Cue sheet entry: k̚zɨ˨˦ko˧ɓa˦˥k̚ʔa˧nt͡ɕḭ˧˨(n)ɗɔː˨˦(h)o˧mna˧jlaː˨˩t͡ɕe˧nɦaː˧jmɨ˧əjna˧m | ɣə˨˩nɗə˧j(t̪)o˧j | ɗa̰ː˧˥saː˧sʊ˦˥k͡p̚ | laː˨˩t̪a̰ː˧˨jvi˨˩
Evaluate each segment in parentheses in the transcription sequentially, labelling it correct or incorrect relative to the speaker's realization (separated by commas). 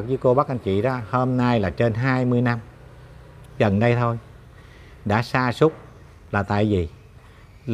incorrect, correct, incorrect